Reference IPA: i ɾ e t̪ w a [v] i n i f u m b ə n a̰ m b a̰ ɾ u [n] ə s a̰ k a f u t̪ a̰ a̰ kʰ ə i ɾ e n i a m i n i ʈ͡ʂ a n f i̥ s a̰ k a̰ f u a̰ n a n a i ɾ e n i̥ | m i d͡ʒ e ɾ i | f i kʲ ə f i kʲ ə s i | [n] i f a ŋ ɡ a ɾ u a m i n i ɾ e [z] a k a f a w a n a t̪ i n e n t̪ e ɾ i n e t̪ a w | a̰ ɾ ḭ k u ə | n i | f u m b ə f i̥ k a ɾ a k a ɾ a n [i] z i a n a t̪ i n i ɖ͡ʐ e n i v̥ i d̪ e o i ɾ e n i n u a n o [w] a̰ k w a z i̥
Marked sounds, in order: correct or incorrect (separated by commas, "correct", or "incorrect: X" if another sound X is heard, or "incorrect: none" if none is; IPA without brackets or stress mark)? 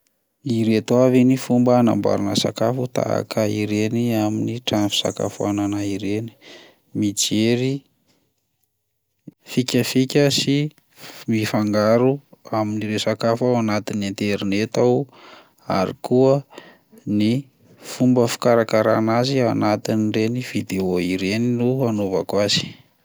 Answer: correct, correct, incorrect: m, incorrect: s, incorrect: a, incorrect: v